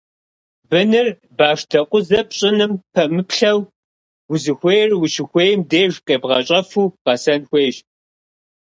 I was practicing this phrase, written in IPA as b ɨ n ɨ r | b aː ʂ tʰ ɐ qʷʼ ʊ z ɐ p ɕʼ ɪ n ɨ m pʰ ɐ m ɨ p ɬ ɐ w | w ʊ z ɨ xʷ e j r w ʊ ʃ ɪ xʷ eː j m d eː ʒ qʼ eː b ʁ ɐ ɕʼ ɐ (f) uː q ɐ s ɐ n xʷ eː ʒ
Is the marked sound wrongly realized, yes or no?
no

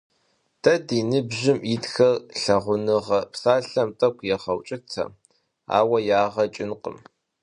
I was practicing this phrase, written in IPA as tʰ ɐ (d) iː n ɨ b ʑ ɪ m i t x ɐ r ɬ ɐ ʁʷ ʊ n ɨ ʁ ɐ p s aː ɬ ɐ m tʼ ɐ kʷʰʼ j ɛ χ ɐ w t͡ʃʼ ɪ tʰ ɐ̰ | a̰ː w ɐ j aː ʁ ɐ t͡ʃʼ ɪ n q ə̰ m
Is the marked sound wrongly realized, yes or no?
no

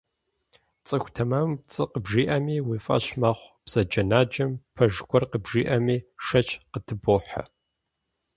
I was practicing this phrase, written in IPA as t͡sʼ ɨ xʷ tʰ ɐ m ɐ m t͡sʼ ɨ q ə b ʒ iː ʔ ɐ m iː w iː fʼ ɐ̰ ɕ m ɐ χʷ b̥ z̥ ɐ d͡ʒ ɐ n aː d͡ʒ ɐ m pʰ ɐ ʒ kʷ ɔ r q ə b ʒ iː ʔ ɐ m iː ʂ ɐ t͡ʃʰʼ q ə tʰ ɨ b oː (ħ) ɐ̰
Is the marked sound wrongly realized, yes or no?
no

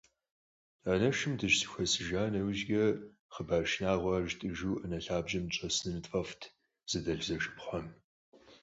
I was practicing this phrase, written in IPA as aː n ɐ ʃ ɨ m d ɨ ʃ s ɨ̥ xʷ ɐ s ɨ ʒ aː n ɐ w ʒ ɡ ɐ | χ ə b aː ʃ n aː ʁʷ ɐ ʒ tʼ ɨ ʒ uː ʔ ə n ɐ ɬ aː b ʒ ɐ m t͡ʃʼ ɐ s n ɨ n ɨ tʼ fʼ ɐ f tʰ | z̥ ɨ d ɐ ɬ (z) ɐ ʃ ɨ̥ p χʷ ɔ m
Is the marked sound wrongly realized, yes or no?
no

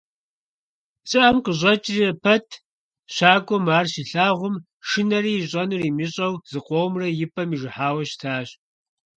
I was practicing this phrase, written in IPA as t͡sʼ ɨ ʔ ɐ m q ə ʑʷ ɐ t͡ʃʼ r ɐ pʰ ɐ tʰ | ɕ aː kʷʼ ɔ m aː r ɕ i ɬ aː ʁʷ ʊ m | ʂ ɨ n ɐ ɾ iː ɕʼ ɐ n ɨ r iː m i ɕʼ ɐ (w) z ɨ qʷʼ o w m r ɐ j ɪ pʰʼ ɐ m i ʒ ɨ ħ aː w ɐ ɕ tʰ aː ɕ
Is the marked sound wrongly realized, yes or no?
no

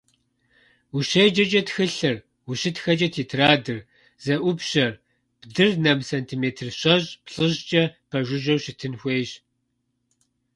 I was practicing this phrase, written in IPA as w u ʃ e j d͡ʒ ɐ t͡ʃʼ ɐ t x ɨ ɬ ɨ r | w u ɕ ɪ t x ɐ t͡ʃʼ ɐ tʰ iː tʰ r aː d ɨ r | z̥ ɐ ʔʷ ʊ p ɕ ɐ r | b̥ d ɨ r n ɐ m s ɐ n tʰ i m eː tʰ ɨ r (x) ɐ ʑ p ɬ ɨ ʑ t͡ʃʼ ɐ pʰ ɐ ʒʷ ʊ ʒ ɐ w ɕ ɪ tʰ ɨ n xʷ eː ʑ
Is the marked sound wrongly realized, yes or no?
yes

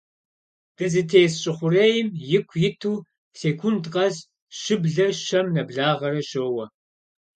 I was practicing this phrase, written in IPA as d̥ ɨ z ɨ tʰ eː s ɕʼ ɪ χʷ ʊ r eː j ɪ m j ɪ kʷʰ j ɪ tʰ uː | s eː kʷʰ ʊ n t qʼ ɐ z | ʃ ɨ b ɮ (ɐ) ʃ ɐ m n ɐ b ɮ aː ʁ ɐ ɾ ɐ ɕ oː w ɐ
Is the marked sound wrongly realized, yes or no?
no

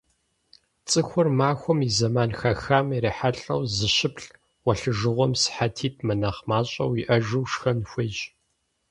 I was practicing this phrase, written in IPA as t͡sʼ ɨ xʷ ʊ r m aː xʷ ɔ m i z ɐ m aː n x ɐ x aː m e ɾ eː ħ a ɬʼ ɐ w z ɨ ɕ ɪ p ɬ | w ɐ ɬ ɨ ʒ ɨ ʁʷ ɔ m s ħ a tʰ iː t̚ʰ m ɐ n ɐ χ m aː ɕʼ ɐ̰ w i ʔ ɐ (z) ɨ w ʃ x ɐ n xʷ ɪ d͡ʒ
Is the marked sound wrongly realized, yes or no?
yes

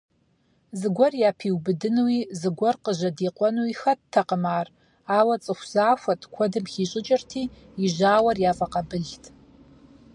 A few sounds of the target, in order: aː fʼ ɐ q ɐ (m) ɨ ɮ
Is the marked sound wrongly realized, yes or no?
yes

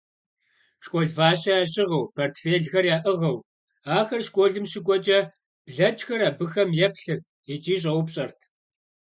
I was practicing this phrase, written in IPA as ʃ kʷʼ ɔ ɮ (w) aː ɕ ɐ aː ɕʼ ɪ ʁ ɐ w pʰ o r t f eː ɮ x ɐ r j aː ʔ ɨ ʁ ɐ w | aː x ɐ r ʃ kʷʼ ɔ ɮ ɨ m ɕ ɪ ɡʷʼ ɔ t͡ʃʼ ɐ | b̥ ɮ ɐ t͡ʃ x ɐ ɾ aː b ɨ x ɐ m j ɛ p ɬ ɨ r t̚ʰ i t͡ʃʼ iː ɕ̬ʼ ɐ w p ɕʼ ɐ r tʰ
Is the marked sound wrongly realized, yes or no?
yes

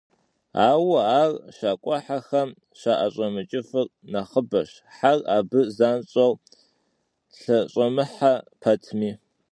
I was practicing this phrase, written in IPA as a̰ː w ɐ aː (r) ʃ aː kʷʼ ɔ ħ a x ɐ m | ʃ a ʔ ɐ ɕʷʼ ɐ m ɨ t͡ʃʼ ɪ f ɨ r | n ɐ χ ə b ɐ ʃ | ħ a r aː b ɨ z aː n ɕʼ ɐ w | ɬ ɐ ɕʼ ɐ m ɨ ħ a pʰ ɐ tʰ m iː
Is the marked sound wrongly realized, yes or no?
no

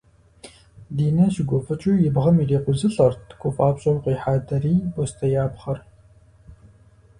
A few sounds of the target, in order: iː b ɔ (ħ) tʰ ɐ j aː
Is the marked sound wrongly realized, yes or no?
yes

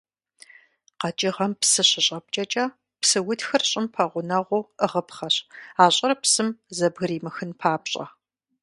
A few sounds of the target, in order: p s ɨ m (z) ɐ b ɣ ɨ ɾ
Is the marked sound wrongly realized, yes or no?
no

